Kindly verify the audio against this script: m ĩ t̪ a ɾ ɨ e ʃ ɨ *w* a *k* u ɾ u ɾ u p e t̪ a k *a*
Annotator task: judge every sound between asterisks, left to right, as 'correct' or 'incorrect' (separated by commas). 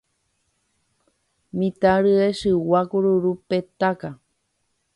correct, correct, correct